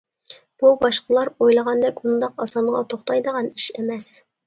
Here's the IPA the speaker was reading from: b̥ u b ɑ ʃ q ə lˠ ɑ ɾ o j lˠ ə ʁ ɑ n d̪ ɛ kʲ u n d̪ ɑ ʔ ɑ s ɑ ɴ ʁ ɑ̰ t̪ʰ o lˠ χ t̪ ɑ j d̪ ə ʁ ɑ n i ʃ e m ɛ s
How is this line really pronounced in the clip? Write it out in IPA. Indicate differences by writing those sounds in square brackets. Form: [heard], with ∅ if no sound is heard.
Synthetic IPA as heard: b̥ u b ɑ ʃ q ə lˠ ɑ ɾ o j lˠ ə ʁ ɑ n d̪ ɛ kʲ u n d̪ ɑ [q] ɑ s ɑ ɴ ʁ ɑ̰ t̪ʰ o [∅] χ t̪ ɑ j d̪ ə ʁ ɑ n i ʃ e m ɛ s